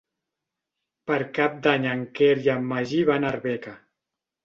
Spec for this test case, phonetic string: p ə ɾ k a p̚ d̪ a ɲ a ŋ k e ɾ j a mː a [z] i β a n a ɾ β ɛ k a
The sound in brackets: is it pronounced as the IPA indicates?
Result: no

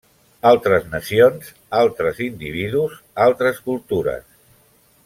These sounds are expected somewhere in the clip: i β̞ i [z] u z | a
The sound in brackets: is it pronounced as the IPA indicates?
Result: no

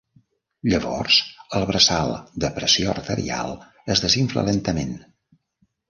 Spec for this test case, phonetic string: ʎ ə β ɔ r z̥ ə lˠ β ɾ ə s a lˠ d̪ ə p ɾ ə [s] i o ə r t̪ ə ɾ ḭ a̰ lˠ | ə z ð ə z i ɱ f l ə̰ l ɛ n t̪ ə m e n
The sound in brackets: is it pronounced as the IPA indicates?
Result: yes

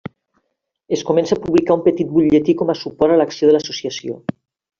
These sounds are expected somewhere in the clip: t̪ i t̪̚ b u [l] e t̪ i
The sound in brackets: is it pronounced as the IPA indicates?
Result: no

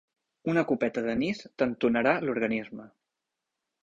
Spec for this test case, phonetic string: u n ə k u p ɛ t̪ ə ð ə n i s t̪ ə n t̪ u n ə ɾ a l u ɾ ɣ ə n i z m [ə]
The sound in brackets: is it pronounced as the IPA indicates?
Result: yes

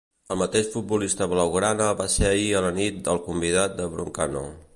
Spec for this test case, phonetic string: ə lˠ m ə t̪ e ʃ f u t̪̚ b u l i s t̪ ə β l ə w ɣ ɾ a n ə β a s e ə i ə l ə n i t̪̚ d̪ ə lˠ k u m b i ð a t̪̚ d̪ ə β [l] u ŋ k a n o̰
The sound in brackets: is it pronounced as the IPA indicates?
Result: no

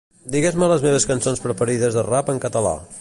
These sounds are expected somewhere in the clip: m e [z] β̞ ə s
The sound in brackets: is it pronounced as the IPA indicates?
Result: no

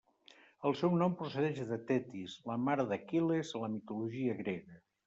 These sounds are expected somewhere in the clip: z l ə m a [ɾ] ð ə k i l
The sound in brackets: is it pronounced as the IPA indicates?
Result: yes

